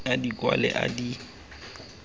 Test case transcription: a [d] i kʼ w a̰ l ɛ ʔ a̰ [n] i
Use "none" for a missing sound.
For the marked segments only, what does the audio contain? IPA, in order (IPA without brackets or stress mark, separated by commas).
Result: d, d